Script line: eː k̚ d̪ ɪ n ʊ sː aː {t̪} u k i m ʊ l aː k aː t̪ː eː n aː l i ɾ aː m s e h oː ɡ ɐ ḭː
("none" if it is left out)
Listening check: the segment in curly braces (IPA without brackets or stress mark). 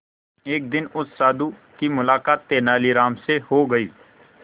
d̪